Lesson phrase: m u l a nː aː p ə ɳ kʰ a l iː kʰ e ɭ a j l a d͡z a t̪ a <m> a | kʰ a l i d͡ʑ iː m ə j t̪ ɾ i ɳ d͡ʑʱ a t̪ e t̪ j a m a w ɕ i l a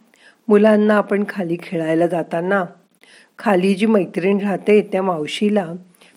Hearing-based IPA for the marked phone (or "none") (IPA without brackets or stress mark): n